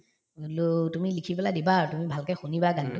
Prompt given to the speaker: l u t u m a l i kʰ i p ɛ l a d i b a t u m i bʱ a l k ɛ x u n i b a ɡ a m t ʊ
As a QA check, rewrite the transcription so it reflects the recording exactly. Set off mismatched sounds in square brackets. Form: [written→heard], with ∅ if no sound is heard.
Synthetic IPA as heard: l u t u m [a→i] l i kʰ i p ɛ l a d i b a t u m i bʱ a l k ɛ x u n i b a ɡ a [m→n] t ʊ